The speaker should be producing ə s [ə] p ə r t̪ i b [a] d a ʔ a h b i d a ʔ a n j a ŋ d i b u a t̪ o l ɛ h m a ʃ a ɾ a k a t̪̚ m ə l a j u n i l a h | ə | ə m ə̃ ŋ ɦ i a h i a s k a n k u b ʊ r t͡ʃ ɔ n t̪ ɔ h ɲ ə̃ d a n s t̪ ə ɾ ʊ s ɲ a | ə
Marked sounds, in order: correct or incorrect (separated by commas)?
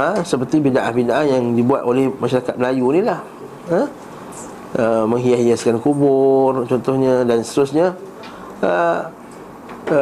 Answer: correct, incorrect